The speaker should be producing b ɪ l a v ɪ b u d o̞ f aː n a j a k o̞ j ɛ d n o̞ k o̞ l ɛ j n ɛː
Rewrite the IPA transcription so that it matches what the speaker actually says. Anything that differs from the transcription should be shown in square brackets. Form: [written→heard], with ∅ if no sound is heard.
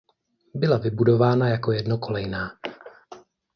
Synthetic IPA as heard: b ɪ l a v ɪ b u d o̞ [f→v] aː n a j a k o̞ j ɛ d n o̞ k o̞ l ɛ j n [ɛː→aː]